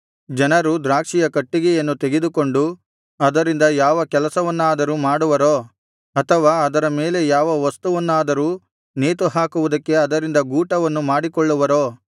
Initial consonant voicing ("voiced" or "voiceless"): voiced